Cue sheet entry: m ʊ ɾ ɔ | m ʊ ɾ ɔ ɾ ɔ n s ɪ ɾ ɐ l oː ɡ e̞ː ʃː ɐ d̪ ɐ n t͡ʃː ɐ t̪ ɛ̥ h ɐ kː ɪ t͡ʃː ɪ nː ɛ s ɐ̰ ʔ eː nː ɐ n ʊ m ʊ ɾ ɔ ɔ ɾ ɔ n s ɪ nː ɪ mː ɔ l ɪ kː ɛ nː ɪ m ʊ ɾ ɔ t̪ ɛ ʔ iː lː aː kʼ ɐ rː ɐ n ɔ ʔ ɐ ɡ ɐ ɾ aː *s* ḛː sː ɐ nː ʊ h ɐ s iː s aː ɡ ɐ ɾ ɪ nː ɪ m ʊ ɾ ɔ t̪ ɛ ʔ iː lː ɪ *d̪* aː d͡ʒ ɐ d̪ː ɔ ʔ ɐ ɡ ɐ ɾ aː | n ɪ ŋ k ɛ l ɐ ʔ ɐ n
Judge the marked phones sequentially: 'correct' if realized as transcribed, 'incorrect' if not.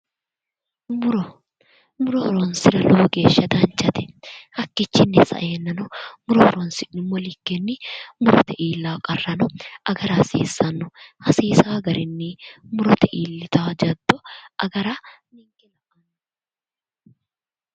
correct, incorrect

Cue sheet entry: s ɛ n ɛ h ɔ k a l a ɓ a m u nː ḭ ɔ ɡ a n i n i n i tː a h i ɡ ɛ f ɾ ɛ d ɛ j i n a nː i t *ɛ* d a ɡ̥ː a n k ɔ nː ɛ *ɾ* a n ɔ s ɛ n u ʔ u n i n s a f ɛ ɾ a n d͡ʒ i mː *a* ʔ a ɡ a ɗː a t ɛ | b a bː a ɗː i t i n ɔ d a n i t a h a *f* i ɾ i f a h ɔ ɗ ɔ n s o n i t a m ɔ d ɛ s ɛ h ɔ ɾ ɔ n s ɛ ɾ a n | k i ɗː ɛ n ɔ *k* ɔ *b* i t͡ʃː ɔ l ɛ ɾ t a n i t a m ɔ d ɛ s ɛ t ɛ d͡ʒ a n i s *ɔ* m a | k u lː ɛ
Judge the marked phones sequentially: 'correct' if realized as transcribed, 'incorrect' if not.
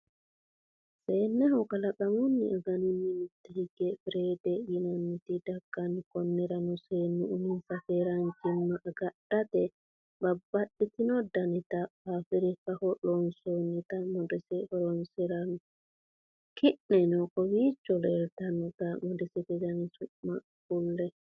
incorrect, correct, correct, correct, correct, incorrect, incorrect

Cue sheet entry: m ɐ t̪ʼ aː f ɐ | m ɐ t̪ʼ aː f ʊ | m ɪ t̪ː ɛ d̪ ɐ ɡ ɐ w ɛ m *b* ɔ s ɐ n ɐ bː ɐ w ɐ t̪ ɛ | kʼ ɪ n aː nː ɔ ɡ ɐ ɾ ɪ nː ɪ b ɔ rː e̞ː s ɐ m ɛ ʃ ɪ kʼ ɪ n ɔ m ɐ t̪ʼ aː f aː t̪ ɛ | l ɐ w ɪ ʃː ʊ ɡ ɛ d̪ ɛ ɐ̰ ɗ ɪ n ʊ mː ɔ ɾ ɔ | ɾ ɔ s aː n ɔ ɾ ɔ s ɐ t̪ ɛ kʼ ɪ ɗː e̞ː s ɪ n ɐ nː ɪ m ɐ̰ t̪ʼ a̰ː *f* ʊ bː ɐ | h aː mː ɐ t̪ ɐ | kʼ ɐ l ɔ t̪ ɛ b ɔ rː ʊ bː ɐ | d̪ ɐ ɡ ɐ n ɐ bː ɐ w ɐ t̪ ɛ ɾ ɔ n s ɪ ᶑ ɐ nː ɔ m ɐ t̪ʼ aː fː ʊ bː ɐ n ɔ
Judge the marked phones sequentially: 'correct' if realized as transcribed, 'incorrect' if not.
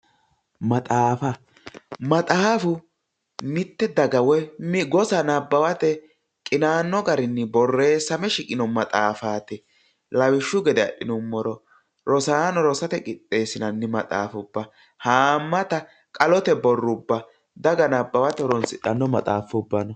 incorrect, correct

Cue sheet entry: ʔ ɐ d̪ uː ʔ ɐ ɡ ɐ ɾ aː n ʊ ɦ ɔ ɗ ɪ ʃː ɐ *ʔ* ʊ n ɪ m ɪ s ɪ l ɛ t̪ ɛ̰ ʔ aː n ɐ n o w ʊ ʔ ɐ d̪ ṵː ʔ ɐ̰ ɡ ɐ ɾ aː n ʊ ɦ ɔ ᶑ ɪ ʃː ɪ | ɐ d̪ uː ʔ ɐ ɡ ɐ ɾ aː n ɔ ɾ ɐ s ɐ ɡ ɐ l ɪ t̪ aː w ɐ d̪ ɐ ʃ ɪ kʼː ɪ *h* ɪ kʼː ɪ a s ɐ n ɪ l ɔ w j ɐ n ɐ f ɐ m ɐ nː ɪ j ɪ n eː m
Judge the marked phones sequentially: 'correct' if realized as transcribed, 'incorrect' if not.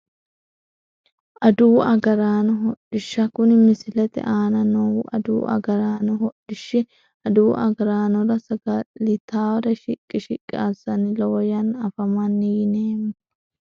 incorrect, incorrect

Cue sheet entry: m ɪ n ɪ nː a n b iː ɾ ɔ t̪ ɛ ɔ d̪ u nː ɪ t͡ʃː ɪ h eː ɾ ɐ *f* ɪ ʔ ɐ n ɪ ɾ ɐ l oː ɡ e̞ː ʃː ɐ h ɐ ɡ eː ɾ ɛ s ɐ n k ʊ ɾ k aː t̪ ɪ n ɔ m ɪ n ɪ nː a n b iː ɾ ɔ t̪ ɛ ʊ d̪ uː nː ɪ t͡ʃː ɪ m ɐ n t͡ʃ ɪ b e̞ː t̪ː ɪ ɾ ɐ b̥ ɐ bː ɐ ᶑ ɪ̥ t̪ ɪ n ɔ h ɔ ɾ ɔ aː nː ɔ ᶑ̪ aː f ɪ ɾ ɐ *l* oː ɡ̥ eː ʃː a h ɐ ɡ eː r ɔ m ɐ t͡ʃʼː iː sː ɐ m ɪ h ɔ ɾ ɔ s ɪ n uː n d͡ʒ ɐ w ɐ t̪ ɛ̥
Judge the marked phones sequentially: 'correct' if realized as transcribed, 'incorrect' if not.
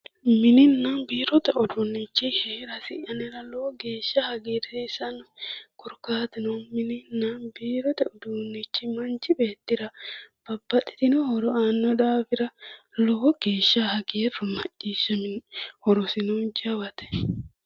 incorrect, correct

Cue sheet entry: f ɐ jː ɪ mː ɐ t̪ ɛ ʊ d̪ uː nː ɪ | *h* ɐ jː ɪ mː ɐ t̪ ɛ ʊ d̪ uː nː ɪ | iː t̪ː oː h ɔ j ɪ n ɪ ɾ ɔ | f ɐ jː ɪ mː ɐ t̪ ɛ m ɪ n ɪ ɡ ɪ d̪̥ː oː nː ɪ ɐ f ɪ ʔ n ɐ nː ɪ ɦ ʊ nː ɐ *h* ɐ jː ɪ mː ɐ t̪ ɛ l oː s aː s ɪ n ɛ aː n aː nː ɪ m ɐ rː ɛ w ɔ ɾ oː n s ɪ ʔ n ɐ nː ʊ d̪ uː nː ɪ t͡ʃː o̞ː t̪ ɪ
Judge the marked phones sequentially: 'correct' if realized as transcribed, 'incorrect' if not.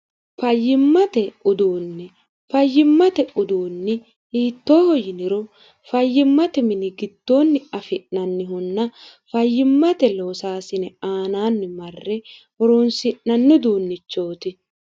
incorrect, incorrect

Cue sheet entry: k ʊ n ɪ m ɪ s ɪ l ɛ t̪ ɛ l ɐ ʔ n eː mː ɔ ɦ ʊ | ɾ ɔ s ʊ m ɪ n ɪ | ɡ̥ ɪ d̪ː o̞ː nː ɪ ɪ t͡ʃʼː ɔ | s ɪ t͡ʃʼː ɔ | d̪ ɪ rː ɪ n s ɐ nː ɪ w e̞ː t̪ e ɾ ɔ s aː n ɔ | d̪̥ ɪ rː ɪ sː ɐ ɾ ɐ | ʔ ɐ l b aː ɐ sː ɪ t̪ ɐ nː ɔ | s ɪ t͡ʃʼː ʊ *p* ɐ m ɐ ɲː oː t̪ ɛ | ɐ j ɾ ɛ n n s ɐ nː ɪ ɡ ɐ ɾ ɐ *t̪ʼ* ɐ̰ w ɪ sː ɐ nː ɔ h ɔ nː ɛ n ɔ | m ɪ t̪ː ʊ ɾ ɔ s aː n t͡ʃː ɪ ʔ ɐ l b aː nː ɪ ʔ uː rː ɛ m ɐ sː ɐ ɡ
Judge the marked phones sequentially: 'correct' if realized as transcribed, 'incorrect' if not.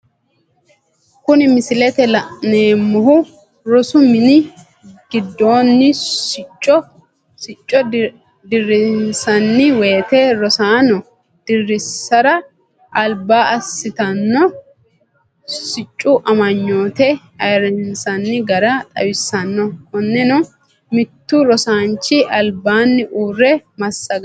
incorrect, correct

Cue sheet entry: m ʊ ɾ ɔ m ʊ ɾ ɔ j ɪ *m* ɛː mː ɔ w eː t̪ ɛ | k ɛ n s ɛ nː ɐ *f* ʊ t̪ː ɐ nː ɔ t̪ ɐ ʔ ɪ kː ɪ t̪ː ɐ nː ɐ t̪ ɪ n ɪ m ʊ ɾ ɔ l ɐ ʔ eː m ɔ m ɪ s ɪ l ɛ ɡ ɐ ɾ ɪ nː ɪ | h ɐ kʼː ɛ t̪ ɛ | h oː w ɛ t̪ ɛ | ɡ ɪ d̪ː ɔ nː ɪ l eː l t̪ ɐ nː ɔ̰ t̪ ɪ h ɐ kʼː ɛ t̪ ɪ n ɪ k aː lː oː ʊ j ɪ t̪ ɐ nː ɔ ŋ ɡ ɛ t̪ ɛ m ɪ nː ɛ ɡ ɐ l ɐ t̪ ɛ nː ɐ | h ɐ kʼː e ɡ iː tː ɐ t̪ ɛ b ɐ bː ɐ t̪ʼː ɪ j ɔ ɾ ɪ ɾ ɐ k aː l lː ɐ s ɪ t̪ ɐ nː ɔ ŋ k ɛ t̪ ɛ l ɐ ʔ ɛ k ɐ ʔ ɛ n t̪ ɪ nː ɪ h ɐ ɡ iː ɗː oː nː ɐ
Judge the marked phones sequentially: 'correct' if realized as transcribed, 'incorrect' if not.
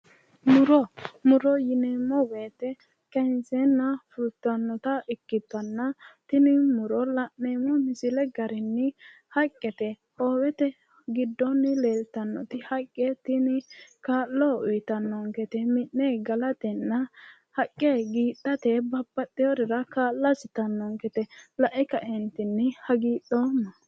incorrect, correct

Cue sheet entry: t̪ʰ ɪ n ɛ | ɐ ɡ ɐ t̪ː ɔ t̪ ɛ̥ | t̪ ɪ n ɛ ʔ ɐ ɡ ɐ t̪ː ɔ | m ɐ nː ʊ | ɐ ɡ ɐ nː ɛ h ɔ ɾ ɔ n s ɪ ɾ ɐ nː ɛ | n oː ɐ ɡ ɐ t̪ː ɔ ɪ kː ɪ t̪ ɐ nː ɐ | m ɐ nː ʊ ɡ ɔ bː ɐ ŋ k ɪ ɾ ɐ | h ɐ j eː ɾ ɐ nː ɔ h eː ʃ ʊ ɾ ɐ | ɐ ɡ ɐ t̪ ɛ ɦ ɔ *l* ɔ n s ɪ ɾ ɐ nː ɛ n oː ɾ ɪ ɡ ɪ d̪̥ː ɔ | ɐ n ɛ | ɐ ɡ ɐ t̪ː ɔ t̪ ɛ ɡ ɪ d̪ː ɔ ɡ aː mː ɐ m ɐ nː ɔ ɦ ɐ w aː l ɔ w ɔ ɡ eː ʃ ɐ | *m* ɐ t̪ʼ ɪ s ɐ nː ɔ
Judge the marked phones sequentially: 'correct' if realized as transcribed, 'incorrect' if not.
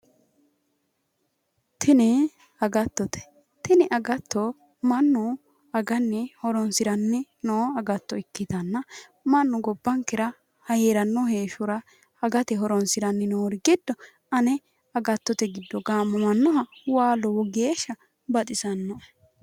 incorrect, incorrect

